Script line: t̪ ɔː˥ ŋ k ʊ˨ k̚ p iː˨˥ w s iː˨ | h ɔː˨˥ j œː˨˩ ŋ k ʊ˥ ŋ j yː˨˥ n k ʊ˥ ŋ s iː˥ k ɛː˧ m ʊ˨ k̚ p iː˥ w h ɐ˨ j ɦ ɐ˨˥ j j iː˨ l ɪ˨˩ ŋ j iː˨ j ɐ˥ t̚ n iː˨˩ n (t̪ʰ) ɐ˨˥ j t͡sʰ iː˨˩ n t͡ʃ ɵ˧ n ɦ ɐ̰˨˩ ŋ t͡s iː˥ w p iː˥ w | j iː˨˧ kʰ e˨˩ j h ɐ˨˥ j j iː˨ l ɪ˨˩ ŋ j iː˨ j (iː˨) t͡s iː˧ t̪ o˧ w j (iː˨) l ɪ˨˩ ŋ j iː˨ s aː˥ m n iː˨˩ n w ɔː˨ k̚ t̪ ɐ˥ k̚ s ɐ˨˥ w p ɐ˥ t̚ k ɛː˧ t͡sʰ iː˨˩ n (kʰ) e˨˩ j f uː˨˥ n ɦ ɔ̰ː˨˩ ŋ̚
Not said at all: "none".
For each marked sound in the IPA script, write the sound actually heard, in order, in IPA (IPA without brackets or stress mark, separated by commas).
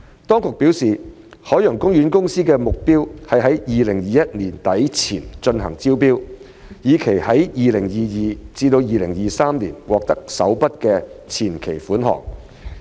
t̪, iː˨, iː˨, kʰ